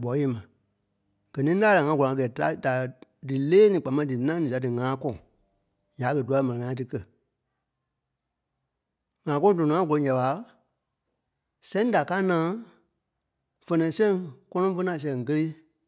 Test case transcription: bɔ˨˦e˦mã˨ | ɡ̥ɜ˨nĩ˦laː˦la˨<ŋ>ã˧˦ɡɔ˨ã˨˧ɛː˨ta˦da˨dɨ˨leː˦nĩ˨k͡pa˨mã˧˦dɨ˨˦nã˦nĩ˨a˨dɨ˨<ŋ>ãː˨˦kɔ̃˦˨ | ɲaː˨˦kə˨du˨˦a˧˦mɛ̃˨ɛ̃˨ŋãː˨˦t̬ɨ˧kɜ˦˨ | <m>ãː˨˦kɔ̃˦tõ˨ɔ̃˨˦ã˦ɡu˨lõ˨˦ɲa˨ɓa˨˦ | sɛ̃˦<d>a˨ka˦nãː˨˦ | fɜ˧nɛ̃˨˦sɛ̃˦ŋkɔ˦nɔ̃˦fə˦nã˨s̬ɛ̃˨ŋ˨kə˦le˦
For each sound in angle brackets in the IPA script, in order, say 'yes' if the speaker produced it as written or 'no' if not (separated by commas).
yes, yes, no, yes